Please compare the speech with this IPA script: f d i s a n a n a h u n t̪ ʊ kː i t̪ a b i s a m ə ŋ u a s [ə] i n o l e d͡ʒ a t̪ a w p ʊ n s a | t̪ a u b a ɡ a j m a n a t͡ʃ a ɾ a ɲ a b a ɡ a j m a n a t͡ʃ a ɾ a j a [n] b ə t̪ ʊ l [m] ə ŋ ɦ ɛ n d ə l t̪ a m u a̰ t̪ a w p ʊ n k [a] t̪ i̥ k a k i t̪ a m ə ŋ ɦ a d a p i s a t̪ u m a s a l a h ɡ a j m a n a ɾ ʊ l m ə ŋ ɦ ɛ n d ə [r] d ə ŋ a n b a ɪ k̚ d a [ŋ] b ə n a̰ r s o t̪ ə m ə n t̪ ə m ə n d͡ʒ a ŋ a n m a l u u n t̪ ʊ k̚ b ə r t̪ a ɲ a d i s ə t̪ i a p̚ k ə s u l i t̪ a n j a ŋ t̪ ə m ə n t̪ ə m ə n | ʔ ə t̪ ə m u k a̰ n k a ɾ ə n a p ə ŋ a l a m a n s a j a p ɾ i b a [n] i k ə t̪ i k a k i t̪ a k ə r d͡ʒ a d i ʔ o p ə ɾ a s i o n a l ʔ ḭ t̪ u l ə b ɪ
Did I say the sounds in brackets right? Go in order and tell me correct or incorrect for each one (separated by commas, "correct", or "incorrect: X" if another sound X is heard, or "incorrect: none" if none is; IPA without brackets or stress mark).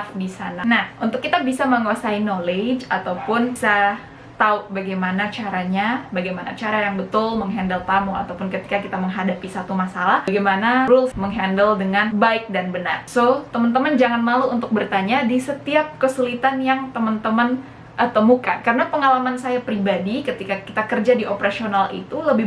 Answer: incorrect: a, incorrect: ŋ, correct, incorrect: ə, incorrect: l, incorrect: n, incorrect: d